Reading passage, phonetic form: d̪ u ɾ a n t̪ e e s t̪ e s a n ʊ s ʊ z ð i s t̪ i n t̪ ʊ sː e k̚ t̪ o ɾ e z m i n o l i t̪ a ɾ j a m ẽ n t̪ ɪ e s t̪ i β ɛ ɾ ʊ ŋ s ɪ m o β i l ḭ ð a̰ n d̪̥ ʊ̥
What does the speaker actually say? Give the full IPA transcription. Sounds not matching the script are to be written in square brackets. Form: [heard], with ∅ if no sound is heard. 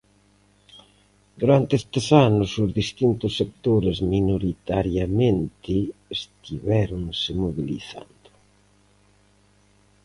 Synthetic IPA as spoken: d̪ u ɾ a n t̪ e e s t̪ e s a n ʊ s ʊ z ð i s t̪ i n t̪ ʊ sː e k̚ t̪ o ɾ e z m i n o [ɾ] i t̪ a ɾ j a m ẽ n t̪ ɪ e s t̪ i β ɛ ɾ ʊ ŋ s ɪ m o β i l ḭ [θ] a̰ n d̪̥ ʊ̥